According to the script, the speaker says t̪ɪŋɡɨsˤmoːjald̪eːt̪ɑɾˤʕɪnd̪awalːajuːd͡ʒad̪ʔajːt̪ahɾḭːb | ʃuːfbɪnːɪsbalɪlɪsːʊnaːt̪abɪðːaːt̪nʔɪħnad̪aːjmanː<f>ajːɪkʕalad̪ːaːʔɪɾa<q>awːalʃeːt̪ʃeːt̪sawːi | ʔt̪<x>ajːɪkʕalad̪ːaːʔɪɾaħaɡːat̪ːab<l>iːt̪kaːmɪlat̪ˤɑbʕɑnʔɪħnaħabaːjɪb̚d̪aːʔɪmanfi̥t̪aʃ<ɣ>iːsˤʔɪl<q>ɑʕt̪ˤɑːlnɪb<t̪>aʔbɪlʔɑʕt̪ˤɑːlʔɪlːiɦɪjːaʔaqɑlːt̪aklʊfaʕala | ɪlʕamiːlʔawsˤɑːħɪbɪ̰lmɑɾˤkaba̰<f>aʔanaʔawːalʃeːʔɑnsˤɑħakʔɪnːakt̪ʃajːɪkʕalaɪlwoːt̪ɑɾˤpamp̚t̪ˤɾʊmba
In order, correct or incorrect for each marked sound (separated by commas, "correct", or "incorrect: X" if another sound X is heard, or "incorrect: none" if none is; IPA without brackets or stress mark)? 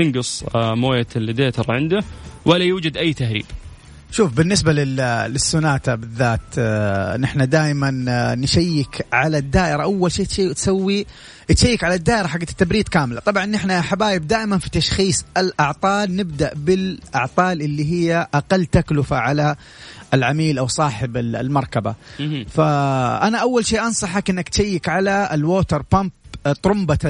incorrect: ʃ, incorrect: ʔ, incorrect: ʃ, incorrect: ɾ, incorrect: x, incorrect: ʔ, incorrect: d̪, correct